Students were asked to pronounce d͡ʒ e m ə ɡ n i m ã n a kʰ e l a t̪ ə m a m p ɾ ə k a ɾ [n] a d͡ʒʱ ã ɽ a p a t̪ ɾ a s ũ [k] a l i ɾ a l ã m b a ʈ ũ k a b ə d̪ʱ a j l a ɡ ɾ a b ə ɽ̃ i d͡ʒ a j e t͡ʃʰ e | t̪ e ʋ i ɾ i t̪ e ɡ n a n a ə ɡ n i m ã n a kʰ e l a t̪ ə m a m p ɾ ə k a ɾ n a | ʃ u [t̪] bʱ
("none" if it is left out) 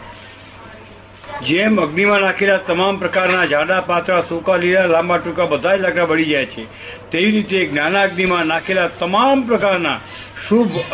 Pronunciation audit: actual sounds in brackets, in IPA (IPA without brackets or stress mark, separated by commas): n, k, none